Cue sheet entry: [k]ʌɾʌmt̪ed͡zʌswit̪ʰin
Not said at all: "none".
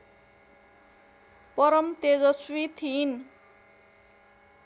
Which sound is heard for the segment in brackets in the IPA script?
p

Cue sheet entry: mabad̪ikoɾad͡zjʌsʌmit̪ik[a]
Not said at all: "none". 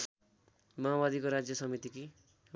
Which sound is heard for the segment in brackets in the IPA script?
i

